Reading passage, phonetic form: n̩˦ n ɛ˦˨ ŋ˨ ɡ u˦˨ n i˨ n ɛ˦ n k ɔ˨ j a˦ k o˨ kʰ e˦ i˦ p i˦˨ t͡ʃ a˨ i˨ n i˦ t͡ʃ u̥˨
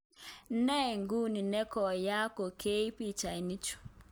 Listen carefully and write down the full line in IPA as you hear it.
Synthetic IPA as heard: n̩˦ n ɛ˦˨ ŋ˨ ɡ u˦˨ n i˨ n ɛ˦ k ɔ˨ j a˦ k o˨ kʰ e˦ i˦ p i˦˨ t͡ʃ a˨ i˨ n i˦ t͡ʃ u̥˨

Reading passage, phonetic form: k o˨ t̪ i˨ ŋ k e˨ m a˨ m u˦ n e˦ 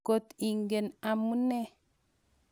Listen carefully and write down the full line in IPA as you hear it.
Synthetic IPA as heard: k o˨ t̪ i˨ ŋ ɡ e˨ n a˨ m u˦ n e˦

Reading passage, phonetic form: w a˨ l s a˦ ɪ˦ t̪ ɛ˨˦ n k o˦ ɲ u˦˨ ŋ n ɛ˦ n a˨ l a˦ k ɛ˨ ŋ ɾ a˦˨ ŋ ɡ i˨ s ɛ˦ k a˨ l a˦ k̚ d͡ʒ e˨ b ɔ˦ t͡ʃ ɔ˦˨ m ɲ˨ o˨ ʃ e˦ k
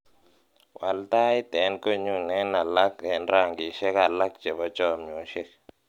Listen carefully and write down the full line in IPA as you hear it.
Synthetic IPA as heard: w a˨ l t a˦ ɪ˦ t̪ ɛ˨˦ n k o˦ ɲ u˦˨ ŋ n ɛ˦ n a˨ l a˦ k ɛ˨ n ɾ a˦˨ ŋ ɡ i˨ ʃ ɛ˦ k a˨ l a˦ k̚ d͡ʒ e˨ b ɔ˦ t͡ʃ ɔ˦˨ m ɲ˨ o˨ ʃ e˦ k

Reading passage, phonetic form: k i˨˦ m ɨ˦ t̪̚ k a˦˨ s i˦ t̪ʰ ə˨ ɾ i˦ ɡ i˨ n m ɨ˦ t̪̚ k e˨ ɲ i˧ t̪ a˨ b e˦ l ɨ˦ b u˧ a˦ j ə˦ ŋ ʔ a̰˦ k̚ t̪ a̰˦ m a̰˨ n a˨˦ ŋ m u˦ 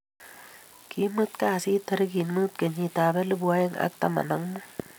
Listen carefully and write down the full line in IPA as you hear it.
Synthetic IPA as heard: k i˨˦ m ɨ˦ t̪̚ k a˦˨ s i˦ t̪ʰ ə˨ ɾ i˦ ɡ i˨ n m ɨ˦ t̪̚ k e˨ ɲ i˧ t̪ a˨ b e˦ l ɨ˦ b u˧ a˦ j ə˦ ŋ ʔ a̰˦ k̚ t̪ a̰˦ m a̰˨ n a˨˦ ŋ m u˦

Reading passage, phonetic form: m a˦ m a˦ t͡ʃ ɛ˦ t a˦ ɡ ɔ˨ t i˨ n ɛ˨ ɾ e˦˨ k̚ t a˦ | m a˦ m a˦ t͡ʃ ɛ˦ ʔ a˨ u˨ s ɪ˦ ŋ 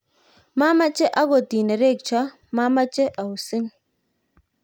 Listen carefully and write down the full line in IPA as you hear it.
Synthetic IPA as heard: m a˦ m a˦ t͡ʃ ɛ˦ ʔ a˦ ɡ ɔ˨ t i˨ n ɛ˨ ɾ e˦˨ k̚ t͡ʃ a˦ | m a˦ m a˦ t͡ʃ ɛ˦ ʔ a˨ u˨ s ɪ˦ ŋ

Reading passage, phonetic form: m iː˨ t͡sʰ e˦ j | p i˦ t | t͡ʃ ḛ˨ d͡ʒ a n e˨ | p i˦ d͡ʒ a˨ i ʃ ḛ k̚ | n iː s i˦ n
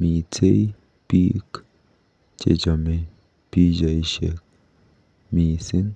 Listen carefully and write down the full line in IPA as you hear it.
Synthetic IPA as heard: m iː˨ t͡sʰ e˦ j | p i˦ k | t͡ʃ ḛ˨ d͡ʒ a m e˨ | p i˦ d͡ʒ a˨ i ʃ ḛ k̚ | m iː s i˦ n

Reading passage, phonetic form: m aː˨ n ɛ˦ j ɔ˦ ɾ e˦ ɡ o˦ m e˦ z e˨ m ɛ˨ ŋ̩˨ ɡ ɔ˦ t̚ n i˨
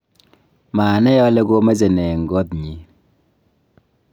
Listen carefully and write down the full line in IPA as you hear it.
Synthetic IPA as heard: m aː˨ n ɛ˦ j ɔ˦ l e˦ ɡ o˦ m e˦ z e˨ n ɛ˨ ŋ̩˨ ɡ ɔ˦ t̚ ɲ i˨

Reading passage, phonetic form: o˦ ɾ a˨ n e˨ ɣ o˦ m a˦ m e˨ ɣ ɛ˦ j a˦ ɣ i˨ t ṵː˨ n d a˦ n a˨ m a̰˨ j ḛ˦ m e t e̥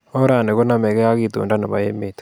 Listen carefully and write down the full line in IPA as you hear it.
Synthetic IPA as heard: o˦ ɾ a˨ n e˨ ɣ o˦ n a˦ m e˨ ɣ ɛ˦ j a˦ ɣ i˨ t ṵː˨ n d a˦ n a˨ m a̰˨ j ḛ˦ m e t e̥

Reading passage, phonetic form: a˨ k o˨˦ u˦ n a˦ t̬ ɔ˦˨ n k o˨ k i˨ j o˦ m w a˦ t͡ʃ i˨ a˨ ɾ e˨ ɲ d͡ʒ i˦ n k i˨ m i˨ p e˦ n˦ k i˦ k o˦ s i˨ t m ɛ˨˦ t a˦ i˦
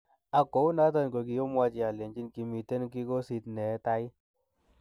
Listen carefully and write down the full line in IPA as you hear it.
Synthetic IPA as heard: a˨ k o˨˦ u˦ n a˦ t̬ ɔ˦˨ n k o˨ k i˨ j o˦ m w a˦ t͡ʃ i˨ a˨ l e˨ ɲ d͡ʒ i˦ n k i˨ m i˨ t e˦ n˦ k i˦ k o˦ s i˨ t n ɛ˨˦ t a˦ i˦

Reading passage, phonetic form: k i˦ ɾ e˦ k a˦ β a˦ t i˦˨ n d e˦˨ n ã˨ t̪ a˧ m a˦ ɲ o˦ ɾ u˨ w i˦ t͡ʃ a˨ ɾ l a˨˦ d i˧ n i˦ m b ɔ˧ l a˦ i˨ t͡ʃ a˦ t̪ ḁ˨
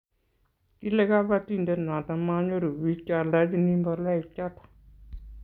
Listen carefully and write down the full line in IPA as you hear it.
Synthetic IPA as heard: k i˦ l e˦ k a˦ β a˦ t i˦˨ n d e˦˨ n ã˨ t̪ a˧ m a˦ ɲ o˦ ɾ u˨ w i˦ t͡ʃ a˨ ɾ l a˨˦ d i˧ n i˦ m b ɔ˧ l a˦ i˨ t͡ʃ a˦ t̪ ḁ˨

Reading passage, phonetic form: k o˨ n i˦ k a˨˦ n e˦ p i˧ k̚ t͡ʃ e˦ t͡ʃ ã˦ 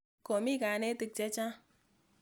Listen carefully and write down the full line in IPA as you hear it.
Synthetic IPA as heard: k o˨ m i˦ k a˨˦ n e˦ t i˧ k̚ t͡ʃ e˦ t͡ʃ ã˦

